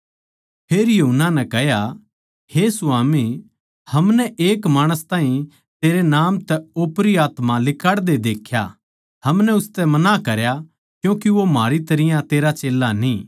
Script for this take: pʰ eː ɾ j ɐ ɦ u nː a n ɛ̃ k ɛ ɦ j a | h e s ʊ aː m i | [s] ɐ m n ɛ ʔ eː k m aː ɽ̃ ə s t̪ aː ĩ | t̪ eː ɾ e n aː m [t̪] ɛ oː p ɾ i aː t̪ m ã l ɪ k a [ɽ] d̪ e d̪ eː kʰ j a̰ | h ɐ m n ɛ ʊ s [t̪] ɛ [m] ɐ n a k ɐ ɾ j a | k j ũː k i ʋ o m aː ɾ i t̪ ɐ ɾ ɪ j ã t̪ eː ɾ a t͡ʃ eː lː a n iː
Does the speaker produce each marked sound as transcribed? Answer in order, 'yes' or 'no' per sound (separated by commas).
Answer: no, yes, yes, yes, yes